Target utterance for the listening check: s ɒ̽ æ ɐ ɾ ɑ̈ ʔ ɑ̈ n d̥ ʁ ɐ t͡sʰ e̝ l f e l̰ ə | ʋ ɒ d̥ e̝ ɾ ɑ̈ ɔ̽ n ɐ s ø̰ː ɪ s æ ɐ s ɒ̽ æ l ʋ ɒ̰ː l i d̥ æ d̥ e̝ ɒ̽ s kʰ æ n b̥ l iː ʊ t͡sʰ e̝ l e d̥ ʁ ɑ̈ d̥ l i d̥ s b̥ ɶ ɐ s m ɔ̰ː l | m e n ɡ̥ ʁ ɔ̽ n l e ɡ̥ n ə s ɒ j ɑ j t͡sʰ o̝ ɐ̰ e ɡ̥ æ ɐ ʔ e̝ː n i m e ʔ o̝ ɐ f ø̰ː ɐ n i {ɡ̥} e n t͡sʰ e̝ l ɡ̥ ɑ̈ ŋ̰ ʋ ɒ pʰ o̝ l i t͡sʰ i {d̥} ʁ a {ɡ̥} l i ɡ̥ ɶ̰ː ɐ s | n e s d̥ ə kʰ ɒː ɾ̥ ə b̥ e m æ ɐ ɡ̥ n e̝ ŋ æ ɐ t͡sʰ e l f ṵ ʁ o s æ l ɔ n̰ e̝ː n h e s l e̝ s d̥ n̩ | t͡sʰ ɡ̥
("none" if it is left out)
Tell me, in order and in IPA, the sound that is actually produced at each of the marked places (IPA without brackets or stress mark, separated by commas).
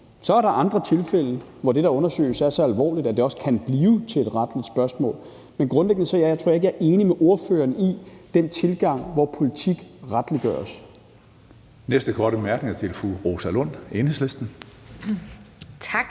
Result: d̥, ɡ̥, d̥